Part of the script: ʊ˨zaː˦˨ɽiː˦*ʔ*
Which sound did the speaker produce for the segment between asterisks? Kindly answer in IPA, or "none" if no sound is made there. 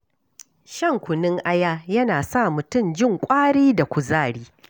none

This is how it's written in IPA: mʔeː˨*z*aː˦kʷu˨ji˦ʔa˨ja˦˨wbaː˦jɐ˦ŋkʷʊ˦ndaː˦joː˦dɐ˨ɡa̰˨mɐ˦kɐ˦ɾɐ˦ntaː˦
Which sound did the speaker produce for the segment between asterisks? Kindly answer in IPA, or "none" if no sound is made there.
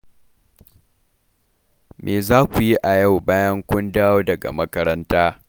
z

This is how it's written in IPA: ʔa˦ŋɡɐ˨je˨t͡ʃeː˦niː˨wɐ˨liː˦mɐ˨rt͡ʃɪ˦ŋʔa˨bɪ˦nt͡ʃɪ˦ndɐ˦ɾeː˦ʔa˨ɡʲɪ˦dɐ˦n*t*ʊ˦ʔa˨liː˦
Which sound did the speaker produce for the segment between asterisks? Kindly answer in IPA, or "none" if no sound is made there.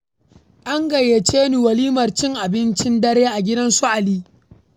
s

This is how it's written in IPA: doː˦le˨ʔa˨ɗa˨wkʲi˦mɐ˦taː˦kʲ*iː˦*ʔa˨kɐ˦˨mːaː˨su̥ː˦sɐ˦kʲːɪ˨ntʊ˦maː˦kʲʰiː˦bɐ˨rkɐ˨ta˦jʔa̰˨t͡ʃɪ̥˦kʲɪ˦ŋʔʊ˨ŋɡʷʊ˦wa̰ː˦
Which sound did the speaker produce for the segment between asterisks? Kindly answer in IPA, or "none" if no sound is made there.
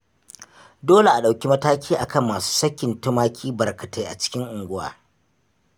iː˦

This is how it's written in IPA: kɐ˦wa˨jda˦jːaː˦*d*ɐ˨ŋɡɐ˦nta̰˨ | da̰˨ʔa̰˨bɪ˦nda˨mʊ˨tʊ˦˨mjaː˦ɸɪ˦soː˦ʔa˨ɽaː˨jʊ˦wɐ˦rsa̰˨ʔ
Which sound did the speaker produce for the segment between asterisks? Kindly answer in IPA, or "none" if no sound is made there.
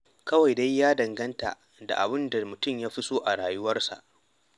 d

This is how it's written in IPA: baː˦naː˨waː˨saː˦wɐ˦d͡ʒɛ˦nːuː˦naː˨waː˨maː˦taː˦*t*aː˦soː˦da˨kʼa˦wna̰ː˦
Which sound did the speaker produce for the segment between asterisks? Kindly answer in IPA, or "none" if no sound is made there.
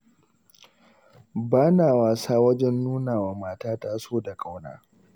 t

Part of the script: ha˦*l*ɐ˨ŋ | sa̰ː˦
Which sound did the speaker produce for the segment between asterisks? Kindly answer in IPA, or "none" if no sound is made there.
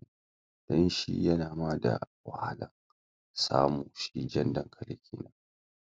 l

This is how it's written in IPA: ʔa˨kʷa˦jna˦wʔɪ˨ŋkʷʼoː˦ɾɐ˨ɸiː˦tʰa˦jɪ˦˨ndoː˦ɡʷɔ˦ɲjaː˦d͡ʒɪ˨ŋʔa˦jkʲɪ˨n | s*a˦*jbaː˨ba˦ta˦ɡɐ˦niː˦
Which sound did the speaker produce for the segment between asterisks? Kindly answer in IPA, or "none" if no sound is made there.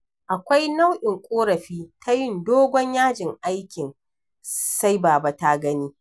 a˦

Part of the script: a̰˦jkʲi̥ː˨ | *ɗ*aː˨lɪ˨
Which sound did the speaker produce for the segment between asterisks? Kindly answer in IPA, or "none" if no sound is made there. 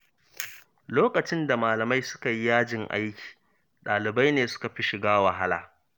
ɗ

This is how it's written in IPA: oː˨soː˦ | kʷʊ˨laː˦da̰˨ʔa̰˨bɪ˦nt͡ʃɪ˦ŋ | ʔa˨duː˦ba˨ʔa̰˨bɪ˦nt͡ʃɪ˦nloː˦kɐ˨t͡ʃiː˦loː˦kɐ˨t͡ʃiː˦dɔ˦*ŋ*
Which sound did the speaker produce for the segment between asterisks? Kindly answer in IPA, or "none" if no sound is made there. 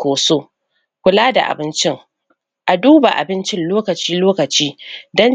n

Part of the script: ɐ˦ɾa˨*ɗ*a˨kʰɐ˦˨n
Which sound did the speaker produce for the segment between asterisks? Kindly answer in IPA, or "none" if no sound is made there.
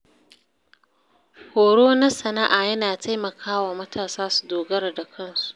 d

